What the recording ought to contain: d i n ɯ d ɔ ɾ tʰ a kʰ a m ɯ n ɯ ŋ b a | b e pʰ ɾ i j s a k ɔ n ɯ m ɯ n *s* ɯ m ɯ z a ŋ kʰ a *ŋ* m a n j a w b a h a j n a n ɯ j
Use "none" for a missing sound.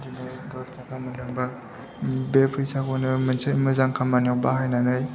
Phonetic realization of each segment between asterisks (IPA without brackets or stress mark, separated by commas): s, none